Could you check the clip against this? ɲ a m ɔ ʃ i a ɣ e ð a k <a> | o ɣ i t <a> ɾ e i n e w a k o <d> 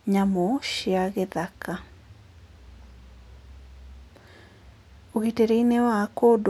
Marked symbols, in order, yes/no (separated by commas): yes, no, yes